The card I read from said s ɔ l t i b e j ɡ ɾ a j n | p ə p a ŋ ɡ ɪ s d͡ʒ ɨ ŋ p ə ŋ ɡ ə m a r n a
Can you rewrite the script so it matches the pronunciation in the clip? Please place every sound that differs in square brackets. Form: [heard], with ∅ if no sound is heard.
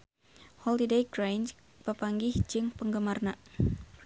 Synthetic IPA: [h] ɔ l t i [d] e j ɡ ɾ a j n | p ə p a ŋ ɡ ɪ [h] d͡ʒ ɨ ŋ p ə ŋ ɡ ə m a r n a

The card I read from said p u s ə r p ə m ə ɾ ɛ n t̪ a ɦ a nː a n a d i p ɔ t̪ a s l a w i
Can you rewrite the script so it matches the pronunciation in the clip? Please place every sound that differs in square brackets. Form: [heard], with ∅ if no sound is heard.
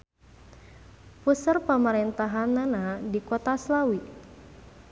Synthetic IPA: p u s ə r p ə m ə ɾ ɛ n t̪ a ɦ a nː a n a d i [k] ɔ t̪ a s l a w i

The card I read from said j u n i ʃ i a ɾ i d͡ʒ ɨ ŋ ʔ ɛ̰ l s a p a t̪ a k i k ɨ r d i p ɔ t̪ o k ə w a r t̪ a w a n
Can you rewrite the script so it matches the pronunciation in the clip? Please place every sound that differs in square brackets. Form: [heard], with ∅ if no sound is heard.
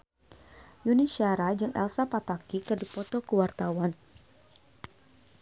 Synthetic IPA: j u n i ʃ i a ɾ [a] d͡ʒ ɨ ŋ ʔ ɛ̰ l s a p a t̪ a k i k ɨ r d i p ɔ t̪ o k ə w a r t̪ a w a n

